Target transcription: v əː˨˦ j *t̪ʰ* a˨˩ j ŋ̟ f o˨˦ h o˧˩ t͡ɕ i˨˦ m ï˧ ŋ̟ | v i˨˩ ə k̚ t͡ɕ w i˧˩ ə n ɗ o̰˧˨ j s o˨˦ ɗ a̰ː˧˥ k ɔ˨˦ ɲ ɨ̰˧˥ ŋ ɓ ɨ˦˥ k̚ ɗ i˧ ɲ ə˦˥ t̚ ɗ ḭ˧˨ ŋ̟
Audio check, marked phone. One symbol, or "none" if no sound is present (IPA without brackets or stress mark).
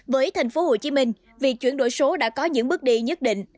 t̪ʰ